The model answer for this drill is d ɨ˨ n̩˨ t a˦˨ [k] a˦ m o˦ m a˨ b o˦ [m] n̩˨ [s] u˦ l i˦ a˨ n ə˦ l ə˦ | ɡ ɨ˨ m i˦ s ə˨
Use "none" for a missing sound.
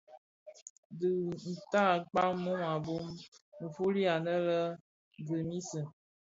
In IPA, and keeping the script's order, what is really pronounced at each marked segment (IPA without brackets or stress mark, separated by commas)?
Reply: k͡p, m, f